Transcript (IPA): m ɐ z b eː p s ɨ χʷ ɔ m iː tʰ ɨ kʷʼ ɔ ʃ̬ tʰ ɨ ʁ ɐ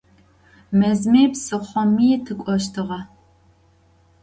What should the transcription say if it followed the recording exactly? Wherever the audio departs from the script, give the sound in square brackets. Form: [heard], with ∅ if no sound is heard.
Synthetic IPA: m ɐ z [m] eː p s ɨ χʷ ɔ m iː tʰ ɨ kʷʼ ɔ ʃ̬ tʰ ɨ ʁ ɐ